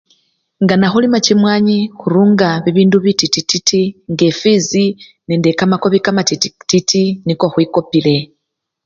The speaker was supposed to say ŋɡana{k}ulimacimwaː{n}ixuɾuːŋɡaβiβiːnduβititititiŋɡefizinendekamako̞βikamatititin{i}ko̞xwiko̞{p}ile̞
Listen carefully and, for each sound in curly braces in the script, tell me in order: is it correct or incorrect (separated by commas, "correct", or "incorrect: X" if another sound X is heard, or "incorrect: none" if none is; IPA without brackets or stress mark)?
incorrect: x, incorrect: ɲ, correct, correct